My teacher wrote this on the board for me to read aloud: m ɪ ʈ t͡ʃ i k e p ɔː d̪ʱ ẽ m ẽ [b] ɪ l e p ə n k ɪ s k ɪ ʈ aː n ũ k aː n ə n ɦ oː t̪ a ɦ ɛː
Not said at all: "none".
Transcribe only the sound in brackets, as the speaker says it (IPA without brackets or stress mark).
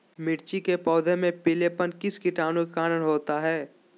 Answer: p